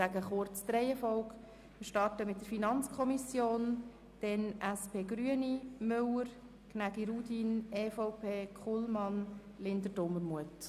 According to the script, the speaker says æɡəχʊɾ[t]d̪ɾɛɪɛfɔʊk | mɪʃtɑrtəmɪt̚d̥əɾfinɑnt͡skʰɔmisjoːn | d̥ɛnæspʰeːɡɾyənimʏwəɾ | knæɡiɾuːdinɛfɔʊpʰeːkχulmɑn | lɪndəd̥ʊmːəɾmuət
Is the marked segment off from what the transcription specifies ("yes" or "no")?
yes